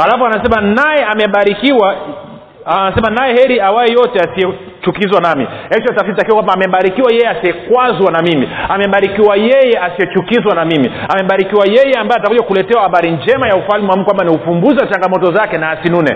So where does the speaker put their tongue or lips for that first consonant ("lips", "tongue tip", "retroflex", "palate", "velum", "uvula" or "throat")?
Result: tongue tip